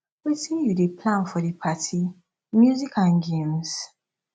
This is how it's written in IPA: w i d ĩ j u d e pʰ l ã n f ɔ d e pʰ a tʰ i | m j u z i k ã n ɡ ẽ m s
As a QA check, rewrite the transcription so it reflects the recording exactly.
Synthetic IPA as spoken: w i t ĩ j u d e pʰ l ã n f ɔ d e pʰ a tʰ i | m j u z i k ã n ɡ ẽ m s

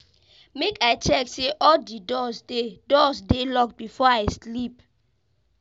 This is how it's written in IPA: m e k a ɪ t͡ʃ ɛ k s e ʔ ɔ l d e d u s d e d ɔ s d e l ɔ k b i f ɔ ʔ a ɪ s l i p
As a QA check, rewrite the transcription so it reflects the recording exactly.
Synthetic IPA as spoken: m e k a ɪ t͡ʃ ɛ k s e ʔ ɔ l d i d ɔ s d e d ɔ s d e l ɔ k b i f ɔ a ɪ s l i p

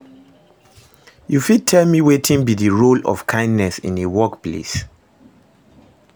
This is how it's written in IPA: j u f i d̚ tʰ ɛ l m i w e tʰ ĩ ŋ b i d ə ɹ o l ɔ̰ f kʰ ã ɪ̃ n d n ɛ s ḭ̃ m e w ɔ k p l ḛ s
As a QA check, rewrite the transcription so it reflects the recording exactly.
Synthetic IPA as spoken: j u f i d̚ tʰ ɛ l m i w e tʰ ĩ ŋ b i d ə ɹ o l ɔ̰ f kʰ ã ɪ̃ n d n ɛ s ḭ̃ n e w ɔ k p l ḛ s

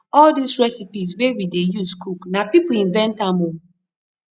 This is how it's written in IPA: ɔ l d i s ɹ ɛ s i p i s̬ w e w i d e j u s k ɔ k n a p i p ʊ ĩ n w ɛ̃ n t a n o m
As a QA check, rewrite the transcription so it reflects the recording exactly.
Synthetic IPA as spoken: ɔ l d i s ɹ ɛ s i p i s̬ w e w i d e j u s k u k n a p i p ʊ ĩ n v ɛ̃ n t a m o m

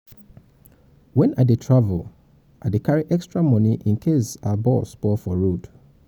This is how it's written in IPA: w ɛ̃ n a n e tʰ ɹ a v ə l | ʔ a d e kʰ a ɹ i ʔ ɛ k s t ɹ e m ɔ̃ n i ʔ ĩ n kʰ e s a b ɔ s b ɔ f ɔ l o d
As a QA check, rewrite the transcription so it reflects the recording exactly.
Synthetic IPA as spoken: w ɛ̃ n a d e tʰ ɹ a v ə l | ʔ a d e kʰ a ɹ i ʔ ɛ k s t ɹ a m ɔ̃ n i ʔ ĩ n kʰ e s a b ɔ s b ɔ f ɔ ɹ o d

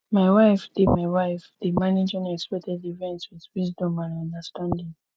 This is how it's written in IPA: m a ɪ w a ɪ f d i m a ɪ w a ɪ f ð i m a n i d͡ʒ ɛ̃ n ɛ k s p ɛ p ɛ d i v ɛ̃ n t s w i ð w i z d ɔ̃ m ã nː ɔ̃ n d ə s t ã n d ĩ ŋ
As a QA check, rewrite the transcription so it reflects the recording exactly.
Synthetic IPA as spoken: m a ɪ w a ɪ f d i m a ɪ w a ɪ f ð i m a n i d͡ʒ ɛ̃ n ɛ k s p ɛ t ɛ d i v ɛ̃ n t s w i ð w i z d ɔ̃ m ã n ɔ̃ n d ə s t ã n d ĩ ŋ

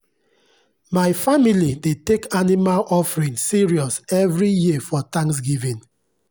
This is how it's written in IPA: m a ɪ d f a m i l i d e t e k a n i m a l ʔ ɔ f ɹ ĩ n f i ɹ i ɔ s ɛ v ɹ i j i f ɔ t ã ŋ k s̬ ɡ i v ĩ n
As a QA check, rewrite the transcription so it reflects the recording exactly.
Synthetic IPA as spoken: m a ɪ f a m i l i d e t e k a n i m a l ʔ ɔ f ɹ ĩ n s i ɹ i ɔ s ɛ v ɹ i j i f ɔ t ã ŋ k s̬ ɡ i v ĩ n

